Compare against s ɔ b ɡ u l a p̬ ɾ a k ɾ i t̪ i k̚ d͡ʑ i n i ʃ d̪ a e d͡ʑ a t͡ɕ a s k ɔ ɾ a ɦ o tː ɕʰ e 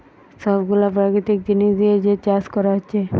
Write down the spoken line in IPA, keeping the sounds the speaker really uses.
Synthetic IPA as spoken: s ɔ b ɡ u l a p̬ ɾ a k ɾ i t̪ i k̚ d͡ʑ i n i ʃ d̪ i e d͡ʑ e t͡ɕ a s k ɔ ɾ a ɦ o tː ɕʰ e